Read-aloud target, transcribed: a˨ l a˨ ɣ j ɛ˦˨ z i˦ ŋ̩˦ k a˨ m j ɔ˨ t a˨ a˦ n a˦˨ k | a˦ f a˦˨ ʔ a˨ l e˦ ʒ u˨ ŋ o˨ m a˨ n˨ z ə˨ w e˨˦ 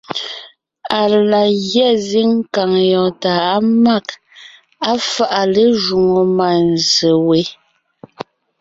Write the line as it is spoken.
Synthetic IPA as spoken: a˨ l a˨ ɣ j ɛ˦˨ z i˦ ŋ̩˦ k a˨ ŋ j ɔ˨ t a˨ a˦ m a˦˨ k | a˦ f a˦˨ ʔ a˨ l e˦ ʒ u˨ ŋ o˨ m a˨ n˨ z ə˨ w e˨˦